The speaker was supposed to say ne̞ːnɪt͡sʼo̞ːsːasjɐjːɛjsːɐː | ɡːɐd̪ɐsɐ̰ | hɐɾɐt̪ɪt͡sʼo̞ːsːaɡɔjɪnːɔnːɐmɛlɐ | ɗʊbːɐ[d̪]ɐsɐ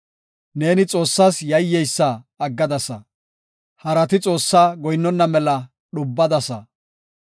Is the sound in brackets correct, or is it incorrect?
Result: correct